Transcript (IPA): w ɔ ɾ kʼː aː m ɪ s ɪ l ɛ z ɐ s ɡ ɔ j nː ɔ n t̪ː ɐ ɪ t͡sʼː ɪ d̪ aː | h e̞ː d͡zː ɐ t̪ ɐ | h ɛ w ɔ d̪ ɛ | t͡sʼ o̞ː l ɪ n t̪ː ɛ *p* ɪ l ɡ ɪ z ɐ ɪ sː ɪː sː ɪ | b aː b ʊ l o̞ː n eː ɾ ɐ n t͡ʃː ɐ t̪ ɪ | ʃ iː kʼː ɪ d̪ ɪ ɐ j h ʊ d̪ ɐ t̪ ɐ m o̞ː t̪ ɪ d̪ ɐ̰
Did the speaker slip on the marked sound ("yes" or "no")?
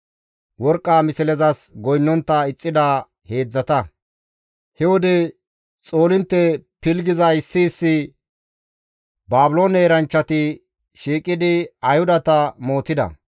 no